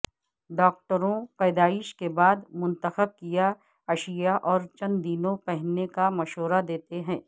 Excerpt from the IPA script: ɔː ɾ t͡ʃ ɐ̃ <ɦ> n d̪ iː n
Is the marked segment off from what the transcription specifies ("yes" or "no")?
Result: yes